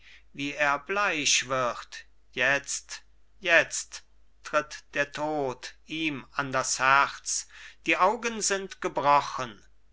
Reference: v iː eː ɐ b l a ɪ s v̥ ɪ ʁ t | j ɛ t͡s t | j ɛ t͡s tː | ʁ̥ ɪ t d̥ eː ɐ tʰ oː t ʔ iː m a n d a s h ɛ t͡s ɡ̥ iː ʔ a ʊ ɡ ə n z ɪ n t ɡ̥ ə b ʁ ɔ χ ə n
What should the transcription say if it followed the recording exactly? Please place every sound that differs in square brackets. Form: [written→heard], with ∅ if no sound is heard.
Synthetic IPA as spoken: v iː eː ɐ b l a ɪ [s→ʃ] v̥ ɪ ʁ t | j ɛ t͡s t | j ɛ t͡s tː | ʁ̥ ɪ t d̥ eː ɐ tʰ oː t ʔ iː m a n d a s h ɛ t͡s [ɡ̥→d̥] iː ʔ a ʊ ɡ ə n z ɪ n t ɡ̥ ə b ʁ ɔ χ ə n

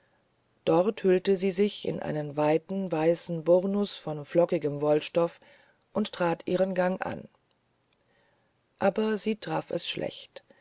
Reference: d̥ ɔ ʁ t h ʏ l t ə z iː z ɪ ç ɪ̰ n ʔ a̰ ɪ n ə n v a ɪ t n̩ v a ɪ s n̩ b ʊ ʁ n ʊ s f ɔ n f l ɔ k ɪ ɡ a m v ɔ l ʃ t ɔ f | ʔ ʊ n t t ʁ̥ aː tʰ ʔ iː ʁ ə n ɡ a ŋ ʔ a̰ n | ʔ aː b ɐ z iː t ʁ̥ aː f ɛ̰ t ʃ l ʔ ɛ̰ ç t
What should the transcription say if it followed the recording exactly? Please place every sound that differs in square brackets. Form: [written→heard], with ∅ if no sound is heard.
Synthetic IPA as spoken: d̥ ɔ ʁ t h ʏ l t ə z iː z ɪ ç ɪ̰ n ʔ a̰ ɪ n ə n v a ɪ t n̩ v a ɪ s n̩ b ʊ ʁ n ʊ s f ɔ n f l ɔ k ɪ ɡ [a→ə] m v ɔ l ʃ t ɔ f | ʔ ʊ n t t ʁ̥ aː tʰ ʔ iː ʁ ə n ɡ a ŋ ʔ a̰ n | ʔ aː b ɐ z iː t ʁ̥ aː f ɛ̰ [t→s] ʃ l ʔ ɛ̰ ç t

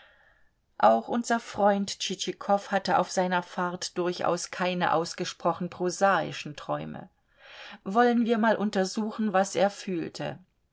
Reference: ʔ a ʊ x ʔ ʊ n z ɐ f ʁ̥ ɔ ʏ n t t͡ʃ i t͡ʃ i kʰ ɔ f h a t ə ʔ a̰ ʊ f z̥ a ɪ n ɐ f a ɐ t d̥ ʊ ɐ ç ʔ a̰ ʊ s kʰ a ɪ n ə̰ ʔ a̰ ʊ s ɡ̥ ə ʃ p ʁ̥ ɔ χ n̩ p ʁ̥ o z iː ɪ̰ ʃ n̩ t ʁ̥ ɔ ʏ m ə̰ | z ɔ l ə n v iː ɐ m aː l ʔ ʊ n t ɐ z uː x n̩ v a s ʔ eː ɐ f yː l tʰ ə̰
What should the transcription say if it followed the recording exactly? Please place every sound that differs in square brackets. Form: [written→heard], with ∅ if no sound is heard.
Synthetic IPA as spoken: ʔ a ʊ x ʔ ʊ n z ɐ f ʁ̥ ɔ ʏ n t t͡ʃ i t͡ʃ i kʰ ɔ f h a t ə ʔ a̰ ʊ f z̥ a ɪ n ɐ f a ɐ t d̥ ʊ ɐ ç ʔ a̰ ʊ s kʰ a ɪ n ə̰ ʔ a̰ ʊ s ɡ̥ ə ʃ p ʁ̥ ɔ χ n̩ p ʁ̥ o z [iː→aː] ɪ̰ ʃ n̩ t ʁ̥ ɔ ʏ m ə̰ | [z→v] ɔ l ə n v iː ɐ m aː l ʔ ʊ n t ɐ z uː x n̩ v a s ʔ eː ɐ f yː l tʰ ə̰

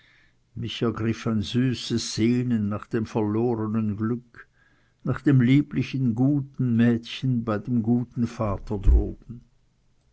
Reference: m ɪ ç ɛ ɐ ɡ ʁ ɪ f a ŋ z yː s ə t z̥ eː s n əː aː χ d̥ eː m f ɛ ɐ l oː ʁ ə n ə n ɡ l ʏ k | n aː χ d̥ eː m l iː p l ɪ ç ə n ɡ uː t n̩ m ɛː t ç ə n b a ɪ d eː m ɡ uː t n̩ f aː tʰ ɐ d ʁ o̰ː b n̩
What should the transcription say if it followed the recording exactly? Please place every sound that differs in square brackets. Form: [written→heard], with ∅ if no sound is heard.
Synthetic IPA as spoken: m ɪ ç ɛ ɐ ɡ ʁ ɪ f a [ŋ→n] z yː s ə [t→s] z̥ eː [s→∅] n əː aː χ d̥ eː m f ɛ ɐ l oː ʁ ə n ə n ɡ l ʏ k | n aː χ d̥ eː m l iː p l ɪ ç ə n ɡ uː t n̩ m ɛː t ç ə n b a ɪ d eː m ɡ uː t n̩ f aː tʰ ɐ d ʁ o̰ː b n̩

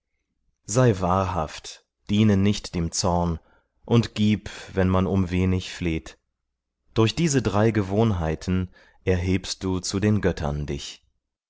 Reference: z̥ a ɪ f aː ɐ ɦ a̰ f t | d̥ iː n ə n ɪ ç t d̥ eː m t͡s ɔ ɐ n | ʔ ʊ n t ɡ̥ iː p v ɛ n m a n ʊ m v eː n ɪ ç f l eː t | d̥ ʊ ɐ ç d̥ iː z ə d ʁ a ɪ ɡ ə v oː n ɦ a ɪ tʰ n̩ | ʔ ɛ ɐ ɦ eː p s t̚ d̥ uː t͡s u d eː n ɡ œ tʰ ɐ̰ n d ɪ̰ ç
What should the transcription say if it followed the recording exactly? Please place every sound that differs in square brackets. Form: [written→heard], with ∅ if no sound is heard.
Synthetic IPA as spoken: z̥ a ɪ [f→v] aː ɐ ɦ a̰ f t | d̥ iː n ə n ɪ ç t d̥ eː m t͡s ɔ ɐ n | ʔ ʊ n t ɡ̥ iː p v ɛ n m a n ʊ m v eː n ɪ ç f l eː t | d̥ ʊ ɐ ç d̥ iː z ə d ʁ a ɪ ɡ ə v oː n ɦ a ɪ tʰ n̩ | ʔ ɛ ɐ ɦ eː p s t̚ d̥ uː t͡s u d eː n ɡ œ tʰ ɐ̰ n d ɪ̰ ç

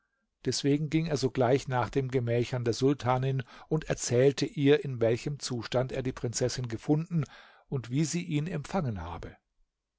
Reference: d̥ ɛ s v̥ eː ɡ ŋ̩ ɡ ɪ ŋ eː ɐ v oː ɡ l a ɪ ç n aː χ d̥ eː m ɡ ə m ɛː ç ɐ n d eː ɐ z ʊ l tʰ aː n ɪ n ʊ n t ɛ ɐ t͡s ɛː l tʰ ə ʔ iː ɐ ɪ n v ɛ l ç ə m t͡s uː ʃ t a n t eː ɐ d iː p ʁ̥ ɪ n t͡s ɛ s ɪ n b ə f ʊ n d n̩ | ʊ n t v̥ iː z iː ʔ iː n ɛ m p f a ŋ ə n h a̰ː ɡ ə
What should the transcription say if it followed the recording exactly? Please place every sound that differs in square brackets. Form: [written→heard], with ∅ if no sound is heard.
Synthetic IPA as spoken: d̥ ɛ s v̥ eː ɡ ŋ̩ ɡ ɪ ŋ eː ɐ [v→z] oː ɡ l a ɪ ç n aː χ d̥ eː m ɡ ə m ɛː ç ɐ n d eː ɐ z ʊ l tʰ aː n ɪ n ʊ n t ɛ ɐ t͡s ɛː l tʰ ə ʔ iː ɐ ɪ n v ɛ l ç ə m t͡s uː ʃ t a n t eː ɐ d iː p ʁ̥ ɪ n t͡s ɛ s ɪ n [b→ɡ] ə f ʊ n d n̩ | ʊ n t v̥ iː z iː ʔ iː n ɛ m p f a ŋ ə n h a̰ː [ɡ→b] ə

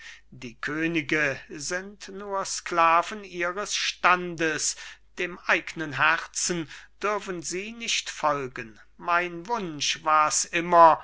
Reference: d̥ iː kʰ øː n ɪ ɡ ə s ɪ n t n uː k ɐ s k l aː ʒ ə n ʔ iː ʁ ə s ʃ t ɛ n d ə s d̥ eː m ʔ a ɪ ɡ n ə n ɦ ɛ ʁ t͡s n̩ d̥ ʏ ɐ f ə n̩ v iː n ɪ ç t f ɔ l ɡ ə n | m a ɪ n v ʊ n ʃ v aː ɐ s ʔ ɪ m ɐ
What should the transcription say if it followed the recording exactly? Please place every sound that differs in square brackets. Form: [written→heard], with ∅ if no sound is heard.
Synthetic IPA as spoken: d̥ iː kʰ øː n ɪ ɡ ə [s→z] ɪ n t n uː [k→∅] ɐ s k l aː [ʒ→v] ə n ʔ iː ʁ ə s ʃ t [ɛ→a] n d ə s d̥ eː m ʔ a ɪ ɡ n ə n ɦ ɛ ʁ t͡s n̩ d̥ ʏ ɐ f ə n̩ [v→z] iː n ɪ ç t f ɔ l ɡ ə n | m a ɪ n v ʊ n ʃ v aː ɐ s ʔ ɪ m ɐ

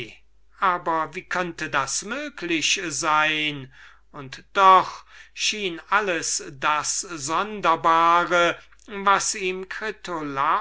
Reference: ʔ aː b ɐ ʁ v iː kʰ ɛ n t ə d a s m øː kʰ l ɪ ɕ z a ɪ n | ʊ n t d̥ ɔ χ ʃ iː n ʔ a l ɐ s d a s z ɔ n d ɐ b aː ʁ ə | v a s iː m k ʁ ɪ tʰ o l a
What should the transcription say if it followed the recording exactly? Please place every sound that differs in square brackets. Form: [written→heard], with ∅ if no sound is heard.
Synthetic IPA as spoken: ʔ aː b ɐ [ʁ→∅] v iː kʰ [ɛ→œ] n t ə d a s m øː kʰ l ɪ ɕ z a ɪ n | ʊ n t d̥ ɔ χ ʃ iː n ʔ a l [ɐ→ə] s d a s z ɔ n d ɐ b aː ʁ ə | v a s iː m k ʁ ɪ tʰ o l a

